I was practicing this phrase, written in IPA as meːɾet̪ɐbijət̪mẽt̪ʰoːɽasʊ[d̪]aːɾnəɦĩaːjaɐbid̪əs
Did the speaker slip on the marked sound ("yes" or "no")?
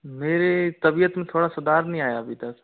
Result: no